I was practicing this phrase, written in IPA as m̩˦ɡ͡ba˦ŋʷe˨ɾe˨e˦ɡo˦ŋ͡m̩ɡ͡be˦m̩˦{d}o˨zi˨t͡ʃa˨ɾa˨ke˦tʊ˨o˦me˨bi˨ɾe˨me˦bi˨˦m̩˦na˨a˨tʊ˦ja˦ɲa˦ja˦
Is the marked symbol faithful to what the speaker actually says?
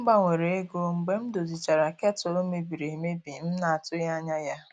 yes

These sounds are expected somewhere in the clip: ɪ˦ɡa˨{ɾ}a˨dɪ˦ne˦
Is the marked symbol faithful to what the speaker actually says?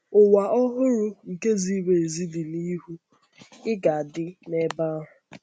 no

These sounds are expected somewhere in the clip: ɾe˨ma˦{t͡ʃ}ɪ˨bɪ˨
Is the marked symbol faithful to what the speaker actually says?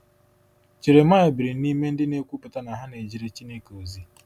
no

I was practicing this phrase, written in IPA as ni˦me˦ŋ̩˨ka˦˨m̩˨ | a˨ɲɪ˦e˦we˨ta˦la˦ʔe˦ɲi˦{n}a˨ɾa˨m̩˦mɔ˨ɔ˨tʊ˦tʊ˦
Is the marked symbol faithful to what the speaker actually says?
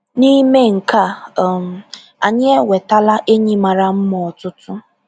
no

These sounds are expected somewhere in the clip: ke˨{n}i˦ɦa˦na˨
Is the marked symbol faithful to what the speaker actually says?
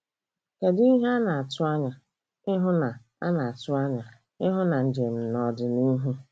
no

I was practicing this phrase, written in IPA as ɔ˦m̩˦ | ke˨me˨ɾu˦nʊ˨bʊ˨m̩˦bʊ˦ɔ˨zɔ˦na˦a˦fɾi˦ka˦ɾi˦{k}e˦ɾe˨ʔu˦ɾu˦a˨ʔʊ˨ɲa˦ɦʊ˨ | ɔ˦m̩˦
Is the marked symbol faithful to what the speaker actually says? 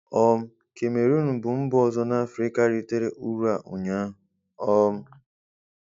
no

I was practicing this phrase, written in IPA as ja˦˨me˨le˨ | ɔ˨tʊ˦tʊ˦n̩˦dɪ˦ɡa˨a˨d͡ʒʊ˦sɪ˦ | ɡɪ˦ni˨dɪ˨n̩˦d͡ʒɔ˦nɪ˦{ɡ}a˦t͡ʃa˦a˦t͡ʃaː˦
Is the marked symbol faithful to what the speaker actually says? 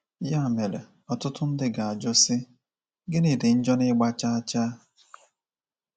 no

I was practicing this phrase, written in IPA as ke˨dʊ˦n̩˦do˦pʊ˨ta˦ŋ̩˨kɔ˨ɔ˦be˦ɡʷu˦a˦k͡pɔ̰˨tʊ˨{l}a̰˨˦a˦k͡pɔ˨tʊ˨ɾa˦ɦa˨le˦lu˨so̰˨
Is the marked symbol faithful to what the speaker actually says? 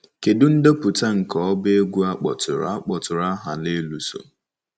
no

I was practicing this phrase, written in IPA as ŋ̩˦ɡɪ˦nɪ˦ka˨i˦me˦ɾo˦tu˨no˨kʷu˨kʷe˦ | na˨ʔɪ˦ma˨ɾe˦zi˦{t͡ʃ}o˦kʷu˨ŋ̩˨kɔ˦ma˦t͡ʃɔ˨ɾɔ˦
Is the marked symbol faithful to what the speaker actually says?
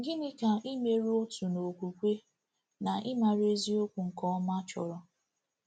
no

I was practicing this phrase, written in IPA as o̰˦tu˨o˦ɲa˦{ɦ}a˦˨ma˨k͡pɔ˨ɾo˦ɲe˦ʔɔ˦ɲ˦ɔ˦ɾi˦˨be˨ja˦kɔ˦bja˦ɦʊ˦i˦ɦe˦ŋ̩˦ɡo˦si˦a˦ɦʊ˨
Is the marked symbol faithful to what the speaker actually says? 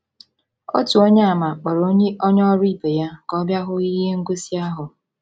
no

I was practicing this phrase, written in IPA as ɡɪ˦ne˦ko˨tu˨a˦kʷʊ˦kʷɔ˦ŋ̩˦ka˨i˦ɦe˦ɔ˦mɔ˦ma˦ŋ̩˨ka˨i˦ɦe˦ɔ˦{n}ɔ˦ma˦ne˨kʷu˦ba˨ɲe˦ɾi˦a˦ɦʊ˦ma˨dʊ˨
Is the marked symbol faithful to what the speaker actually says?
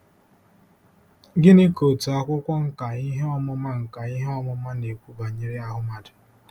no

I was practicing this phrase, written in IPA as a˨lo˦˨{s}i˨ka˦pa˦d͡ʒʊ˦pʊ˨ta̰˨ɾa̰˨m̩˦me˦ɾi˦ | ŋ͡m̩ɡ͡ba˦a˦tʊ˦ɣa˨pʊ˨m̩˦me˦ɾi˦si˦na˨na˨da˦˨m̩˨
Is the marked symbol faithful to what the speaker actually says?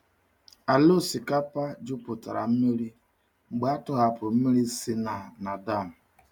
yes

